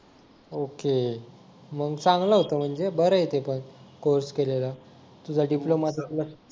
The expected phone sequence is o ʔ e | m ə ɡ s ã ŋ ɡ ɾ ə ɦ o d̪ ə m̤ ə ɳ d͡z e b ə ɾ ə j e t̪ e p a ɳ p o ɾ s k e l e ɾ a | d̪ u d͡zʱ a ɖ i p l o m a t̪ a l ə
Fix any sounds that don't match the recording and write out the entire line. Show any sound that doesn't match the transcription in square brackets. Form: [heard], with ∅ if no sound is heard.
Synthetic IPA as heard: o [k] e | m ə ɡ s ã ŋ ɡ [l] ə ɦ o [t̪] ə m̤ ə ɳ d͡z e b ə ɾ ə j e t̪ e p [ə] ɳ [k] o ɾ s k e l e [l] a | [t̪] u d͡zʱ a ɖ i p l o m a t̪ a l ə

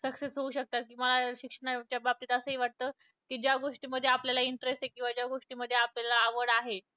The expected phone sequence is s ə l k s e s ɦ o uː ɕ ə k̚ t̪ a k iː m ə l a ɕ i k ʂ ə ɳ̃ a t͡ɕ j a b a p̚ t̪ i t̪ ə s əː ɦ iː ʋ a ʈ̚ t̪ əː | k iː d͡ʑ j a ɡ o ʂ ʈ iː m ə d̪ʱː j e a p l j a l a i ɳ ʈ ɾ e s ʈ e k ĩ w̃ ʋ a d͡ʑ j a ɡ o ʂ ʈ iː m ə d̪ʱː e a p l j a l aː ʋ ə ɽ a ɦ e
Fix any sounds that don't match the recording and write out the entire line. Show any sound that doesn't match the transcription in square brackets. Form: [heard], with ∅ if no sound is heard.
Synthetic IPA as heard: s ə [∅] k s e s ɦ o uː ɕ ə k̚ t̪ a k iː m ə l a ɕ i k ʂ ə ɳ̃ a t͡ɕ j a b a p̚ t̪ i t̪ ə s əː ɦ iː ʋ a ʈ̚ t̪ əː | k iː d͡ʑ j a ɡ o ʂ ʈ iː m ə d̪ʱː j e a p l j a l a i ɳ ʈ ɾ e s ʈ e k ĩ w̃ ʋ a d͡ʑ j a ɡ o ʂ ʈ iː m ə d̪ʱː e a p l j a l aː ʋ ə ɽ a ɦ e

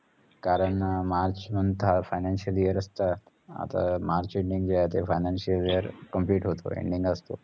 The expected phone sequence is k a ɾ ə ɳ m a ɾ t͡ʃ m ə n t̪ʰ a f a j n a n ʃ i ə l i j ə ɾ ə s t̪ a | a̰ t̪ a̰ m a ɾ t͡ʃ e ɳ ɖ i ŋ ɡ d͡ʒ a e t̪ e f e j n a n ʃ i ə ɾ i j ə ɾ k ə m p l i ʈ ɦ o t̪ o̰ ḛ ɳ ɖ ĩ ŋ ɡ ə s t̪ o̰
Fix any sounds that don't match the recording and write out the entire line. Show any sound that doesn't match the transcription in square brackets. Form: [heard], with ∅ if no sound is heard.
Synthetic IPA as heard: k a ɾ ə ɳ m a ɾ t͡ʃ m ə n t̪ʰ a f a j n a n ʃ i ə l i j ə ɾ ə s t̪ a | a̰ t̪ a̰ m a ɾ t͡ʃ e ɳ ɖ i ŋ ɡ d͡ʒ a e t̪ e f [a] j n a n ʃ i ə [l] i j ə ɾ k ə m p l i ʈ ɦ o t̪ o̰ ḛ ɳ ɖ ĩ ŋ ɡ ə s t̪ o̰

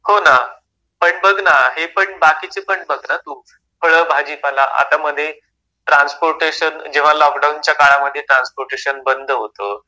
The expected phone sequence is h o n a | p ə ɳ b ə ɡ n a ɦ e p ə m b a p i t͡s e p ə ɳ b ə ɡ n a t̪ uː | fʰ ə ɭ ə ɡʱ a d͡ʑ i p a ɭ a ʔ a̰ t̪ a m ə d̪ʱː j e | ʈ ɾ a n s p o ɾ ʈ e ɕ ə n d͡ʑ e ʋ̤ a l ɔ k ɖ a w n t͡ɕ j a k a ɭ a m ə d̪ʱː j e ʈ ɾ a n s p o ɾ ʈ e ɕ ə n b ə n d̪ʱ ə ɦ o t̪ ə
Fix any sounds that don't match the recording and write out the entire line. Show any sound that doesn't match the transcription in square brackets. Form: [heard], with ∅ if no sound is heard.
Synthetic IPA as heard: h o n a | p ə ɳ b ə ɡ n a ɦ e p ə [ɳ] b a [k] i t͡s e p ə ɳ b ə ɡ n a t̪ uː | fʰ ə ɭ ə [bʱ] a d͡ʑ i p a [l] a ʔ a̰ t̪ a m ə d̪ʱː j e | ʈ ɾ a n s p o ɾ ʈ e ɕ ə n d͡ʑ e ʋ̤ a l ɔ k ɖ a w n t͡ɕ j a k a ɭ a m ə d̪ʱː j e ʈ ɾ a n s p o ɾ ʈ e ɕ ə n b ə n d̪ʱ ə ɦ o t̪ ə

